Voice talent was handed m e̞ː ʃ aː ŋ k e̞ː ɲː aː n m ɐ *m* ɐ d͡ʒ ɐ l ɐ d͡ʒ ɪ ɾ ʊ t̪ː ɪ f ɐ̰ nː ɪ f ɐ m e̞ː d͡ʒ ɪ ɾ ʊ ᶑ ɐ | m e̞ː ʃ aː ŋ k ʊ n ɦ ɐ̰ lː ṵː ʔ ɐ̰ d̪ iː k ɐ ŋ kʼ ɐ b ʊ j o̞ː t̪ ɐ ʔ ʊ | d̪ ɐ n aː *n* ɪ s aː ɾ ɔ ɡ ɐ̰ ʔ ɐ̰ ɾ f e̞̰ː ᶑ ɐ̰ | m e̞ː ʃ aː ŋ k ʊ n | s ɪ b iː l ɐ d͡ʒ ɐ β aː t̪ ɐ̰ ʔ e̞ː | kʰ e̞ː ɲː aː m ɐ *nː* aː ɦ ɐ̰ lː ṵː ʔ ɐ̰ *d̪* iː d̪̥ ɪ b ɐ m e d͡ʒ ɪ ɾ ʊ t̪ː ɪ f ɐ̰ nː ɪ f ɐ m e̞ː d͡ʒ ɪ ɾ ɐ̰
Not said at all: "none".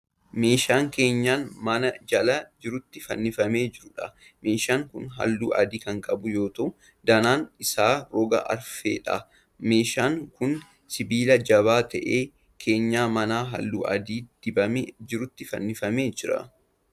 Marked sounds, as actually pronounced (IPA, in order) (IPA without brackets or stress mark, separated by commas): n, n, n, d̪